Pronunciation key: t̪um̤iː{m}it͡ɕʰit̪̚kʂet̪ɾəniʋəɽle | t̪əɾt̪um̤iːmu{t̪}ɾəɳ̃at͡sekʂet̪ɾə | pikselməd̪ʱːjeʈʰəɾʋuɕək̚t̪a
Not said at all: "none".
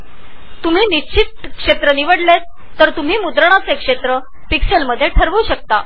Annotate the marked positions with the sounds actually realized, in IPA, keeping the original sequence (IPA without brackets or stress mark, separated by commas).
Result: n, d̪